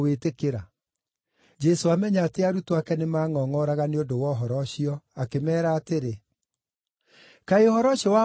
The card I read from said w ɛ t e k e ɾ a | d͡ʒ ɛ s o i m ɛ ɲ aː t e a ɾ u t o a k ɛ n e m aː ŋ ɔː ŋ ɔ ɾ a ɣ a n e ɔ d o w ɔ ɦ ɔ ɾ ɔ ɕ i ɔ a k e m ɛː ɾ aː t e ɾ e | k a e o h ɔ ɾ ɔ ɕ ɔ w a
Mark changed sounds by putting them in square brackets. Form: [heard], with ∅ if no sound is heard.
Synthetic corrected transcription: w [e] t e k e ɾ a | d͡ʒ ɛ s o [a] m ɛ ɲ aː t e a ɾ u t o a k ɛ n e m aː ŋ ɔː ŋ ɔ ɾ a ɣ a n e [o] d o w ɔ ɦ ɔ ɾ ɔ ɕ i ɔ a k e m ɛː ɾ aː t e ɾ e | k a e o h ɔ ɾ ɔ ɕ ɔ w a